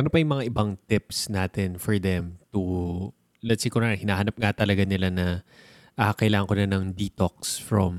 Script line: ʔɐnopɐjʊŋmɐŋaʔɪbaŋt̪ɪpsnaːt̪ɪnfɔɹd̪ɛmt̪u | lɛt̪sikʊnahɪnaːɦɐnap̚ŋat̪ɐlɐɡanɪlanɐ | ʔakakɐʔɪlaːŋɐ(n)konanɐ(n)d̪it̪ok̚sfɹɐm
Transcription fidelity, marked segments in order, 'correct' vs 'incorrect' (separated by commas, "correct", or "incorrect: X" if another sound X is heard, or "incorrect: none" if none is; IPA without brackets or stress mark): incorrect: ŋ, incorrect: ŋ